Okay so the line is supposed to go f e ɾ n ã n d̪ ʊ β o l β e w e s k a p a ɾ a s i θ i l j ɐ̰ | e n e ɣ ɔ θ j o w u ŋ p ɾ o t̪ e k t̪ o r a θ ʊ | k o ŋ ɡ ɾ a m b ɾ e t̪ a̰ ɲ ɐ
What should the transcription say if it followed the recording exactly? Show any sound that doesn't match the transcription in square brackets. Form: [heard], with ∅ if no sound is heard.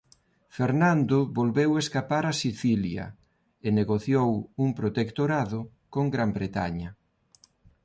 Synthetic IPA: f e ɾ n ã n d̪ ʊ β o l β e w e s k a p a ɾ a s i θ i l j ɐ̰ | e n e ɣ [o] θ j o w u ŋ p ɾ o t̪ e k t̪ o [ɾ] a [ð] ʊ | k o ŋ ɡ ɾ a m b ɾ e t̪ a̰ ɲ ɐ